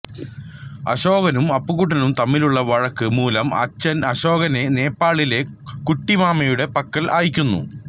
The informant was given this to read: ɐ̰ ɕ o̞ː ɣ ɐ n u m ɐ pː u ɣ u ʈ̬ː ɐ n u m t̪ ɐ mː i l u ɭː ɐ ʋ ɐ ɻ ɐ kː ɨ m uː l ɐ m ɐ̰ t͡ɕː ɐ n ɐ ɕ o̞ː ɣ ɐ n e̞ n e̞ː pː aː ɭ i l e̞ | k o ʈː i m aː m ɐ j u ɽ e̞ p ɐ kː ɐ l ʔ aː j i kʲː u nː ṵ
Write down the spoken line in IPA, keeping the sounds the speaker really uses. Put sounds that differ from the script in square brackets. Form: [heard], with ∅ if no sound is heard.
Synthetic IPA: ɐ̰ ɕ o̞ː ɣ ɐ n u m ɐ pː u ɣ u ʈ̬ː ɐ n u m t̪ ɐ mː i l u ɭː ɐ ʋ ɐ ɻ ɐ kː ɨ m uː l ɐ m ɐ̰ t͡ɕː ɐ n ɐ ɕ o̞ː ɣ ɐ n e̞ n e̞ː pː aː ɭ i l e̞ | k [u] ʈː i m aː m ɐ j u ɽ e̞ p ɐ kː ɐ l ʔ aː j i kʲː u nː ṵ